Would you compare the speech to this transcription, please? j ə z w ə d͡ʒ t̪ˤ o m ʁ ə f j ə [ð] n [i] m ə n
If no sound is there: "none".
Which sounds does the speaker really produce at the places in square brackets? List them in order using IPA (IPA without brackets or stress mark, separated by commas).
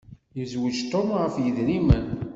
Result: ð, i